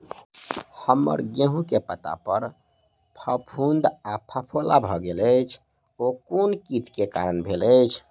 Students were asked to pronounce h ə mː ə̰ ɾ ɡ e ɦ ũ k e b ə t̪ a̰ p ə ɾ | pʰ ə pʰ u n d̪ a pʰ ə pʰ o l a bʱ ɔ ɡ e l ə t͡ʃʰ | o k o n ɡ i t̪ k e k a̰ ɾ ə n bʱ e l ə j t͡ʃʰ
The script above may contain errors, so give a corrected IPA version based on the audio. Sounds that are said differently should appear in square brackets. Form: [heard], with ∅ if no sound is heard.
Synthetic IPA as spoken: h ə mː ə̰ ɾ ɡ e ɦ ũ k e [p] ə t̪ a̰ p ə ɾ | pʰ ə pʰ u n d̪ a pʰ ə pʰ o l a bʱ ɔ ɡ e l ə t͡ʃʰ | o k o n [k] i t̪ k e k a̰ ɾ ə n bʱ e l ə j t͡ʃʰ